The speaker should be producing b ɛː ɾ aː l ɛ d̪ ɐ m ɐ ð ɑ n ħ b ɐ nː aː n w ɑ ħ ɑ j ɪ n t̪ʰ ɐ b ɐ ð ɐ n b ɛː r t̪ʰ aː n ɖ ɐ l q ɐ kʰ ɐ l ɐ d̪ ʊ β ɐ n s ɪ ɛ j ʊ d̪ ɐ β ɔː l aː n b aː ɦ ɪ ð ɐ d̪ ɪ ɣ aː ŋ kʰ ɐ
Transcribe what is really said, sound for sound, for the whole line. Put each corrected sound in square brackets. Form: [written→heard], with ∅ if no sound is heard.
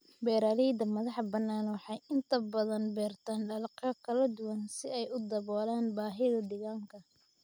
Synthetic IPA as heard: b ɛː ɾ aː l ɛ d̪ ɐ m ɐ ð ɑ [n→∅] ħ b ɐ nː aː n w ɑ ħ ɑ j ɪ n t̪ʰ ɐ b ɐ ð ɐ n b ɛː r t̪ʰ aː n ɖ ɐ l q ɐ kʰ ɐ l ɐ d̪ ʊ [β→w] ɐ n s ɪ ɛ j ʊ d̪ ɐ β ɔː l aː n b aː ɦ ɪ ð ɐ d̪ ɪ ɣ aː ŋ kʰ ɐ